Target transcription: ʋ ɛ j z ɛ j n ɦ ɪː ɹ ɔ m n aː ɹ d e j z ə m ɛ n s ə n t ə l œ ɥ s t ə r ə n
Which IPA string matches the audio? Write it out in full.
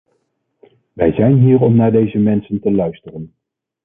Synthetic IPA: ʋ ɛ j z ɛ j n ɦ iː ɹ ɔ m n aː ɹ d e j z ə m ɛ n s ə n t ə l œ ɥ s t ə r ə n